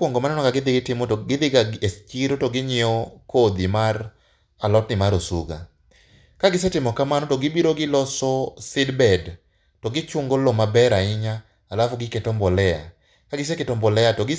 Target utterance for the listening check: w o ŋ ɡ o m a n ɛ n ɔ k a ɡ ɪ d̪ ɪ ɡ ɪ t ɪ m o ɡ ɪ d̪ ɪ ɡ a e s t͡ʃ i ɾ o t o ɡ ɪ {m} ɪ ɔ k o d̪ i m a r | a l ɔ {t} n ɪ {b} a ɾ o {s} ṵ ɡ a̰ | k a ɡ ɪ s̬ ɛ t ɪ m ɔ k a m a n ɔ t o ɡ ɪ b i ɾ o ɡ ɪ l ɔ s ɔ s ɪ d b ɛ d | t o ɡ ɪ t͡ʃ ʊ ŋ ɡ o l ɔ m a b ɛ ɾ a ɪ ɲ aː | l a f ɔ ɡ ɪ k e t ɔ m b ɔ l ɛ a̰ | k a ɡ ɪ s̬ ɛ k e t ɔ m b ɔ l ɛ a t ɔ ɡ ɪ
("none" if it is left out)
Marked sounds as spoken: ɲ, t, m, s

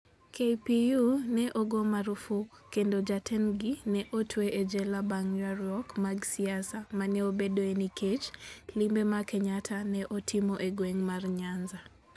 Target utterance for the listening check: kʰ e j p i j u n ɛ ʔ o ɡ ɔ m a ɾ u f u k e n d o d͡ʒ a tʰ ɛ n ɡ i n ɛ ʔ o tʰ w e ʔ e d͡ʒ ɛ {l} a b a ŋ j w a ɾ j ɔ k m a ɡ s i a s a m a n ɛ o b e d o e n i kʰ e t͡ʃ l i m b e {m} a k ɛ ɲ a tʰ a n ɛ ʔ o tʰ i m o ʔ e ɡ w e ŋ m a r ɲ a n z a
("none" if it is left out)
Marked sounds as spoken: l, m

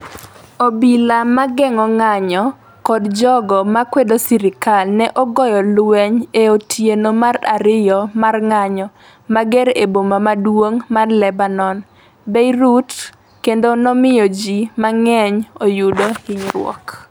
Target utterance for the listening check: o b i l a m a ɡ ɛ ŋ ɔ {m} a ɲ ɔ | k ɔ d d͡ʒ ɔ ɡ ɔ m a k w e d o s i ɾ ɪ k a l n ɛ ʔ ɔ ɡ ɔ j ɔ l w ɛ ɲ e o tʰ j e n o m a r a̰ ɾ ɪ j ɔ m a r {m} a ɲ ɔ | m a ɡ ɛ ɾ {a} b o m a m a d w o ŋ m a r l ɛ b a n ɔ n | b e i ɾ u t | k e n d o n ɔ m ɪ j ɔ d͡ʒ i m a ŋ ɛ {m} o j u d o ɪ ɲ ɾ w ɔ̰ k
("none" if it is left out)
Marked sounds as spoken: ŋ, ŋ, e, ɲ

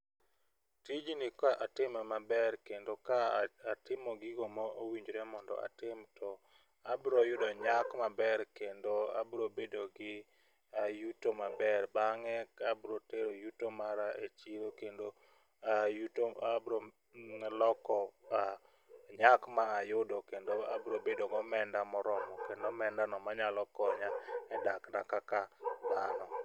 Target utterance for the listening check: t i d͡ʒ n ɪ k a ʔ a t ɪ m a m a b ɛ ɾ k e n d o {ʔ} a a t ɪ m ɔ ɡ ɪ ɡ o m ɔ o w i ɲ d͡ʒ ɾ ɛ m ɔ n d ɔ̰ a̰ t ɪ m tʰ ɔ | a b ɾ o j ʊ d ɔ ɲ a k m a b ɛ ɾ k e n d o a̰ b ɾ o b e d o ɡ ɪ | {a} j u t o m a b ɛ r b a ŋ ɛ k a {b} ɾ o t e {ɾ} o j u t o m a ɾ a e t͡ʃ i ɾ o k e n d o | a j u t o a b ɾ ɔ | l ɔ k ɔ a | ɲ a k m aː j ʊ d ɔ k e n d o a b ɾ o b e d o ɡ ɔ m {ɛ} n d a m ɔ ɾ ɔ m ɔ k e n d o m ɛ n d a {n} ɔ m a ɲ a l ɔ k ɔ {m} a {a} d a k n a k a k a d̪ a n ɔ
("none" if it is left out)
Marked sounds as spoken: k, a, b, ɾ, ɛ, n, ɲ, ɛ

